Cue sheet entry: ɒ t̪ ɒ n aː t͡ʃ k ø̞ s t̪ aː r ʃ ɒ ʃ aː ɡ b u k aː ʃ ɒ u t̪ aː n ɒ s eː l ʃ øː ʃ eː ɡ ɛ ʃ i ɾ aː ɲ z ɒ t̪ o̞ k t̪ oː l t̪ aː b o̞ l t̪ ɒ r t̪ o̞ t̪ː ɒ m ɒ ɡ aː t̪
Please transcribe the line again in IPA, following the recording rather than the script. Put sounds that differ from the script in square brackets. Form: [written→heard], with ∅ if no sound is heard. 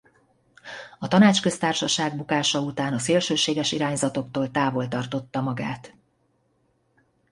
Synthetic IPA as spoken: ɒ t̪ ɒ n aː t͡ʃ k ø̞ s t̪ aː r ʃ ɒ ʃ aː ɡ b u k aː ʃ ɒ u t̪ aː n ɒ s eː l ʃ øː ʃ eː ɡ ɛ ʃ i ɾ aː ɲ z ɒ t̪ o̞ k t̪ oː l t̪ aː [b→v] o̞ l t̪ ɒ r t̪ o̞ t̪ː ɒ m ɒ ɡ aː t̪